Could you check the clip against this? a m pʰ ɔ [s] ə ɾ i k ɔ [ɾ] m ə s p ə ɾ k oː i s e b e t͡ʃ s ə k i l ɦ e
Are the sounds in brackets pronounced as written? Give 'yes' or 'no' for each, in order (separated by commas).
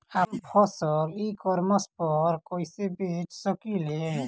yes, yes